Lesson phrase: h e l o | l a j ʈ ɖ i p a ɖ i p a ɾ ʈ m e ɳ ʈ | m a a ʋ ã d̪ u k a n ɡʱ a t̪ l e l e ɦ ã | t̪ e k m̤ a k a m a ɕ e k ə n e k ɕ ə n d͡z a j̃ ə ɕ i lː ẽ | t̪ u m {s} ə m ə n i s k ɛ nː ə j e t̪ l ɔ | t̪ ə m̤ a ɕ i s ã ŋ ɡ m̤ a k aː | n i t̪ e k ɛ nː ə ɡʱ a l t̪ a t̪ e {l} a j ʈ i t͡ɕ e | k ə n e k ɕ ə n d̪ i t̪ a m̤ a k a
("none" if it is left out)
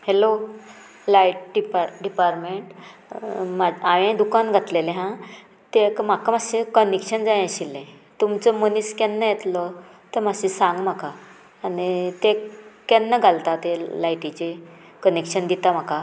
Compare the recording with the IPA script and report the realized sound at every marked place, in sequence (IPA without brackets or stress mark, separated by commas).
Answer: t͡s, l